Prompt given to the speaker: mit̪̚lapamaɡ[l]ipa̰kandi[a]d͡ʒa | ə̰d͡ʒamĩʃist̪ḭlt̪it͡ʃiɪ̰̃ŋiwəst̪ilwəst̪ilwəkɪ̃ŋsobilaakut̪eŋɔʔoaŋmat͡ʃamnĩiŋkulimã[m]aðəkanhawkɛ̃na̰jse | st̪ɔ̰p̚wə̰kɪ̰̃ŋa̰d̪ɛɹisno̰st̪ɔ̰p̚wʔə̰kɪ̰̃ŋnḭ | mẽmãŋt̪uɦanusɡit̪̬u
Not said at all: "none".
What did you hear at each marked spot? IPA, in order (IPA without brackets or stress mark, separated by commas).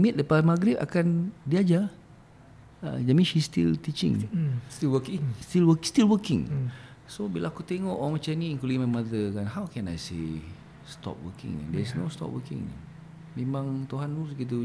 ɾ, a, m